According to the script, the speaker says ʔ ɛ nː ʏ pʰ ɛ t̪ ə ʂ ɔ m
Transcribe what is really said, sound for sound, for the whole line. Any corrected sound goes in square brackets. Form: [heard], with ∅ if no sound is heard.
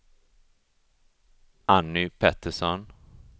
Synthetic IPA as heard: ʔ [a] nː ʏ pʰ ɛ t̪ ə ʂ ɔ [n]

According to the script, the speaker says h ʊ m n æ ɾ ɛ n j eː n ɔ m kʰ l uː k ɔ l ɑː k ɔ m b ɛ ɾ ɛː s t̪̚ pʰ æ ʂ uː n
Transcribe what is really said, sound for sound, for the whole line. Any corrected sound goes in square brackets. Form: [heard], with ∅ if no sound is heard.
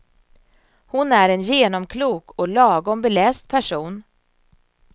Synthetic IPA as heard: h ʊ [∅] n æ ɾ ɛ n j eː n ɔ m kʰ l uː k ɔ l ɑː [ɡ] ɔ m b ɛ [l] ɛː s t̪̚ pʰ æ ʂ uː n

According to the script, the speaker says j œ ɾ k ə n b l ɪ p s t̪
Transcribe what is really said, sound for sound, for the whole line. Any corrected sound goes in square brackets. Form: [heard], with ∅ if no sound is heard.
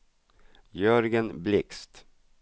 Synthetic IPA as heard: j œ ɾ [ɡ] ə n b l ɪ [k] s t̪

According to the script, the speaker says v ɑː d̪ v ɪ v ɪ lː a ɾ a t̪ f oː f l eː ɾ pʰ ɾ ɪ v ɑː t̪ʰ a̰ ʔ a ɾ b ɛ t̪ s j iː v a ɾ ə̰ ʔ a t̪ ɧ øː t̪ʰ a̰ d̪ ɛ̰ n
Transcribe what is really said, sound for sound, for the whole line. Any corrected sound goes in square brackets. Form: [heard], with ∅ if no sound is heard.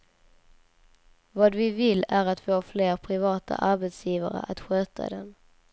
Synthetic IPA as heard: v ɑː d̪ v ɪ v ɪ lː [æ] ɾ a t̪ f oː f l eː ɾ pʰ ɾ ɪ v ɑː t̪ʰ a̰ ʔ a ɾ b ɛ t̪ s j iː v a ɾ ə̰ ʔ a t̪ ɧ øː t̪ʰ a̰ d̪ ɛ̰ n

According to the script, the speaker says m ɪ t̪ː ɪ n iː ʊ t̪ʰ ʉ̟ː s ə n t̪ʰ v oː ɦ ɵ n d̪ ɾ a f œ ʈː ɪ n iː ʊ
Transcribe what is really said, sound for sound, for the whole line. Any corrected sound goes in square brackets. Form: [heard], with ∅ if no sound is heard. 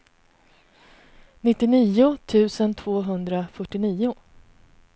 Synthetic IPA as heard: [n] ɪ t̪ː ɪ n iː ʊ t̪ʰ ʉ̟ː s ə n t̪ʰ v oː ɦ ɵ n d̪ ɾ a f œ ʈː ɪ n iː ʊ

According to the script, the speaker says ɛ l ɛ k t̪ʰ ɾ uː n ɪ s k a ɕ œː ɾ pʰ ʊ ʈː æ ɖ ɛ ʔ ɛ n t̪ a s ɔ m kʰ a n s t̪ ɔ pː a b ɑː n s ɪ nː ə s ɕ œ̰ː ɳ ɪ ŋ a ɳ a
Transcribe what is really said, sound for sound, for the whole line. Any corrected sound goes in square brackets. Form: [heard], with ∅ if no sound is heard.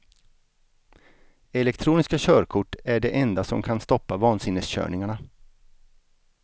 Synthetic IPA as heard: ɛ l ɛ k t̪ʰ ɾ uː n ɪ s k a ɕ œː ɾ [kʰ] ʊ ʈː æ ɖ ɛ ʔ ɛ n [d̪] a s ɔ m kʰ a n s t̪ ɔ pː a [v] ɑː n s ɪ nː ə s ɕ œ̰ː ɳ ɪ ŋ a ɳ a

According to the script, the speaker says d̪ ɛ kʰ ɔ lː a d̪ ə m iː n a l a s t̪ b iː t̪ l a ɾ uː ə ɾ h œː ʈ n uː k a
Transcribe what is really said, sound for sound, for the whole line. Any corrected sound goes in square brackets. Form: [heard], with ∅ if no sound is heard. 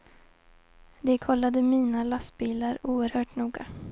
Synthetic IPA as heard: d̪ ɛ kʰ ɔ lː a d̪ ə m iː n a l a s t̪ b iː [∅] l a ɾ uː ə ɾ h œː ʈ n uː [ɡ] a

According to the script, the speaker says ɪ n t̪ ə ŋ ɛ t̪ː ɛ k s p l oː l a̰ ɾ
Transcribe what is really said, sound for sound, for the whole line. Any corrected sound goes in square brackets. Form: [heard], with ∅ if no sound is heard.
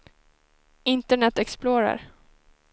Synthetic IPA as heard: ɪ n t̪ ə [ɳ] ɛ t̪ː ɛ k s p l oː [ɾ] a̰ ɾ

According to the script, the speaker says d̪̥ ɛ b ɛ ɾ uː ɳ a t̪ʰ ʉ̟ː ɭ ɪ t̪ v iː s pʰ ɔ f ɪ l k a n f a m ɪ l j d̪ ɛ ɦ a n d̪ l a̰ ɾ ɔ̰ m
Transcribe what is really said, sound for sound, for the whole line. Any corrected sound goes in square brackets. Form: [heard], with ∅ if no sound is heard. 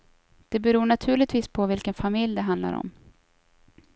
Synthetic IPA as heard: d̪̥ ɛ b ɛ ɾ uː ɳ a t̪ʰ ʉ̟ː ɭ ɪ t̪ v iː s pʰ ɔ [v] ɪ l k [ə] n f a m ɪ l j d̪ ɛ ɦ a n d̪ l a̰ ɾ ɔ̰ m

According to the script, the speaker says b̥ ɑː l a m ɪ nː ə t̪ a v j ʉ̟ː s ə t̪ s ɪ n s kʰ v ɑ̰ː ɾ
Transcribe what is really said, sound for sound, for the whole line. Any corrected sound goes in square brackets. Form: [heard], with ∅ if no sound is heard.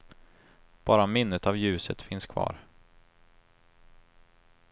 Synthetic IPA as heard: b̥ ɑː [ɾ] a m ɪ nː ə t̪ a v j ʉ̟ː s ə t̪ [f] ɪ n s kʰ v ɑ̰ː ɾ

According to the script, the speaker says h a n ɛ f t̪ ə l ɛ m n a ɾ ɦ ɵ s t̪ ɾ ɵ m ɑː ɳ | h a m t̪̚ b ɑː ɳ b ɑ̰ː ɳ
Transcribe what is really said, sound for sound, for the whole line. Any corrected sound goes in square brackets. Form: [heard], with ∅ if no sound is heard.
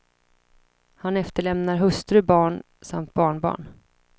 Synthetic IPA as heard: h a n ɛ f t̪ ə [ɭ] ɛ m n a ɾ ɦ ɵ s t̪ ɾ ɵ [b] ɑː ɳ | [s] a m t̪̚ b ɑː ɳ b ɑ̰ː ɳ

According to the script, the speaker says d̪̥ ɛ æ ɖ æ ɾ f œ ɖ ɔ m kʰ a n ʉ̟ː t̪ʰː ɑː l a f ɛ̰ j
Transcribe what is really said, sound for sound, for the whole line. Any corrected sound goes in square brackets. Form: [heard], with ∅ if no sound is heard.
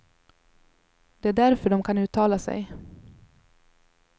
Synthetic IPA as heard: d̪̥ ɛ æ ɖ æ ɾ f œ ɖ ɔ m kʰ a n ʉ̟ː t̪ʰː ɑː l a [s] ɛ̰ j

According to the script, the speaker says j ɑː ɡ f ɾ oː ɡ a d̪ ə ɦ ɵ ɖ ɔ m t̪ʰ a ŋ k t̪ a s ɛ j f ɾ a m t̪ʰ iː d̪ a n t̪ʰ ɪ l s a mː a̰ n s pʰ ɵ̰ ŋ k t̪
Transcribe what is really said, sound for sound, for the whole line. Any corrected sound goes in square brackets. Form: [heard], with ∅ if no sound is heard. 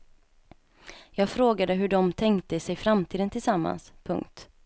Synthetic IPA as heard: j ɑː ɡ f ɾ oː ɡ a d̪ ə ɦ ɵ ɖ ɔ m t̪ʰ [ɛ] ŋ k t̪ [ə] s ɛ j f ɾ a m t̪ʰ iː d̪ [ə] n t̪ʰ ɪ l s a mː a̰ n s pʰ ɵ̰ ŋ k t̪

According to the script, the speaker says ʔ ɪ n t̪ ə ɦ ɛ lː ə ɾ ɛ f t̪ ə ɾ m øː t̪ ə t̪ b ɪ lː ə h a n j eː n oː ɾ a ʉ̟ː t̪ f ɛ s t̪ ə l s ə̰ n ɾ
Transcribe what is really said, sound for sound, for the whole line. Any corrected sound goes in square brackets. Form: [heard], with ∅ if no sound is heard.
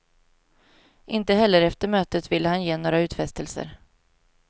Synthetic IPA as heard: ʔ ɪ n t̪ ə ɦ ɛ lː ə ɾ ɛ f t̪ ə ɾ m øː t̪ ə t̪ [v] ɪ lː ə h a n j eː n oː ɾ a ʉ̟ː t̪ f ɛ s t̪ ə l s ə̰ [∅] ɾ

